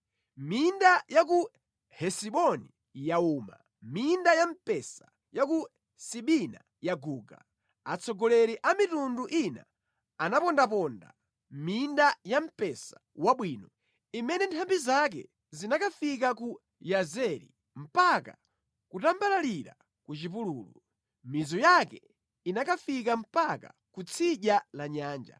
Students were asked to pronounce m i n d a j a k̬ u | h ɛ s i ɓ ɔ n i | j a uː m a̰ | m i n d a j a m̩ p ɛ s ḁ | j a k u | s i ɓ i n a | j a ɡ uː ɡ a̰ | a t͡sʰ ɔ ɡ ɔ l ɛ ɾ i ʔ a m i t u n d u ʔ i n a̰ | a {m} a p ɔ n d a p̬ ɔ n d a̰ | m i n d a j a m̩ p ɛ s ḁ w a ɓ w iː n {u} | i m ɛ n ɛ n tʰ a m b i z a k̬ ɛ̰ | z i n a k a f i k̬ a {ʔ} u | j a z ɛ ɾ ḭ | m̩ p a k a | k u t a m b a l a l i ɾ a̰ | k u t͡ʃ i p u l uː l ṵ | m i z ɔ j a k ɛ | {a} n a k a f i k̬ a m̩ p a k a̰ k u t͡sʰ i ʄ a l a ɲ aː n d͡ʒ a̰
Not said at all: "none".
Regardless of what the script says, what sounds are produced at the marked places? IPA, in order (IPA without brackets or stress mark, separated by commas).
n, ɔ, k, i